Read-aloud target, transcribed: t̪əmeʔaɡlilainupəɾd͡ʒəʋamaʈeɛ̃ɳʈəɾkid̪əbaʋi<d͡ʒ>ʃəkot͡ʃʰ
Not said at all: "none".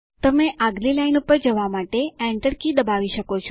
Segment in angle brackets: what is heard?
none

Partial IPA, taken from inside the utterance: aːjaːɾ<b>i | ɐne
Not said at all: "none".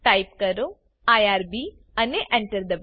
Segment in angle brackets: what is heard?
b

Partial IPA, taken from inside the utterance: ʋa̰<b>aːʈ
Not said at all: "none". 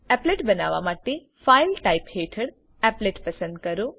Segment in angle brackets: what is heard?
m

